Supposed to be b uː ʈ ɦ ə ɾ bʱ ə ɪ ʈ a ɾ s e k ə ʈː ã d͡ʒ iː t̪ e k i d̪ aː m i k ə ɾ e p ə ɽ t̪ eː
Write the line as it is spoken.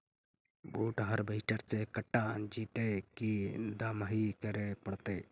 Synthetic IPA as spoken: b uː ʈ ɦ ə ɾ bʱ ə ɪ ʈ ə ɾ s e k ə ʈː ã d͡ʒ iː t̪ e k i d̪ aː m i k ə ɾ e p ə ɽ t̪ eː